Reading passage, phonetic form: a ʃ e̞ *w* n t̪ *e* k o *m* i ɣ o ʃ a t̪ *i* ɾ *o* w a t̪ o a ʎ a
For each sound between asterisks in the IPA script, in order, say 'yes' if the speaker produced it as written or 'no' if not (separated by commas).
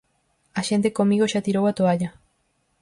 no, yes, yes, yes, yes